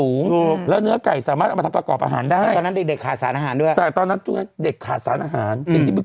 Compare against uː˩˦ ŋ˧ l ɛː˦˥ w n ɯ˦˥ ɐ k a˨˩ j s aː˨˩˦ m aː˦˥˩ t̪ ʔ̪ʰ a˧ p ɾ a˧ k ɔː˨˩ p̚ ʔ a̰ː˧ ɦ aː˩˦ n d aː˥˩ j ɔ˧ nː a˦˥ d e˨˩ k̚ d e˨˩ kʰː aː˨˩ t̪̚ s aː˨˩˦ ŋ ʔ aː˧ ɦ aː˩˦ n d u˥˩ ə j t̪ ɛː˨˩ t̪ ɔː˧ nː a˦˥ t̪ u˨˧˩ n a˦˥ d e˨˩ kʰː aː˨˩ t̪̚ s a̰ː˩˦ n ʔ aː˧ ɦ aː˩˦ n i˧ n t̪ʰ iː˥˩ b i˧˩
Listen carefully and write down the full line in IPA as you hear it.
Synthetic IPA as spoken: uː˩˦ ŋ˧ l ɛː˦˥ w n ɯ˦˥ ɐ k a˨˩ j s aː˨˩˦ m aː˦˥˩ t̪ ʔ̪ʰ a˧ p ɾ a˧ k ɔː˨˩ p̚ ʔ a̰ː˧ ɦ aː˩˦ n d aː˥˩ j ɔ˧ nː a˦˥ d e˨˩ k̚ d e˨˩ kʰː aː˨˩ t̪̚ s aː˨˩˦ n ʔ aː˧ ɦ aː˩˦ n d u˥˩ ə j t̪ ɛː˨˩ t̪ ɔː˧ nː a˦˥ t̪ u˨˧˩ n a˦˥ d e˨˩ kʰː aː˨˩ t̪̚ s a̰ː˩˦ n ʔ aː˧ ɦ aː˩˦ n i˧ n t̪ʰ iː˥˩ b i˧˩